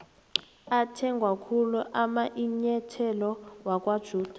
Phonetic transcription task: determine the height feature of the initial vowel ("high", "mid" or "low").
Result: low